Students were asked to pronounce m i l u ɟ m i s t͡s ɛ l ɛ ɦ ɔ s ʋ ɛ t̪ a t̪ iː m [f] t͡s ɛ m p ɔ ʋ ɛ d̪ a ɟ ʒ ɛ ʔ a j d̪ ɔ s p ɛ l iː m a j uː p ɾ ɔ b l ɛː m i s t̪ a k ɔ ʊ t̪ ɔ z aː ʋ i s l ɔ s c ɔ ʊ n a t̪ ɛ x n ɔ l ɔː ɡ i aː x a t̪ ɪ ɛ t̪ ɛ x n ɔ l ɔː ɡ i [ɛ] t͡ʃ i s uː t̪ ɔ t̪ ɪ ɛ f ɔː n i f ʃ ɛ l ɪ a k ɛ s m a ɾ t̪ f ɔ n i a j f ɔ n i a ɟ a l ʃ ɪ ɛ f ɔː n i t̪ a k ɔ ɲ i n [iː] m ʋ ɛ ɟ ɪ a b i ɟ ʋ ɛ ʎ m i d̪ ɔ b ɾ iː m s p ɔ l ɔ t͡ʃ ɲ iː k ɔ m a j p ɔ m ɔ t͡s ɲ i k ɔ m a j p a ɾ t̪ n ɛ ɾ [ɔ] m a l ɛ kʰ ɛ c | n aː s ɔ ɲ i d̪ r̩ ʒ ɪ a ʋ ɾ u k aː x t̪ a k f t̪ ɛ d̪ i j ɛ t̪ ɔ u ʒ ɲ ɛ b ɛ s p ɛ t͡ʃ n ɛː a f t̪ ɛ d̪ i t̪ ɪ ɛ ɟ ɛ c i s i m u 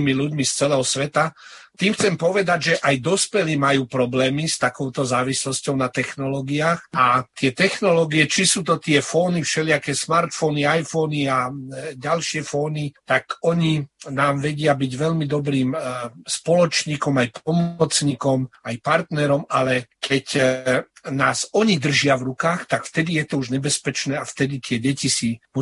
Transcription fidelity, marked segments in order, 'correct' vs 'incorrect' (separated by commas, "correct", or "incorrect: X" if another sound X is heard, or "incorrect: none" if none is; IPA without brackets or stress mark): incorrect: x, correct, incorrect: aː, correct